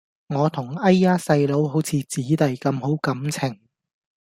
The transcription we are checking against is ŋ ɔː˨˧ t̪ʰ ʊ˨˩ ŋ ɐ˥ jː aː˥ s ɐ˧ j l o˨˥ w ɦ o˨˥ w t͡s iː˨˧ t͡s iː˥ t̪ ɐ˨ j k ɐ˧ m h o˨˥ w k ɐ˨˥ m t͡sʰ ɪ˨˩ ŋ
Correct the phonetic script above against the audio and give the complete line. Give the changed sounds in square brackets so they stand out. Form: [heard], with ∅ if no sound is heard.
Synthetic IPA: ŋ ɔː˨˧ t̪ʰ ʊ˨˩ ŋ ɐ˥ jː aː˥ s ɐ˧ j l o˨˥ w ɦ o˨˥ w [t͡sʰ] iː˨˧ t͡s [iː˨˥] t̪ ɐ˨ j k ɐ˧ m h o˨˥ w k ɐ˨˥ m t͡sʰ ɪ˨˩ ŋ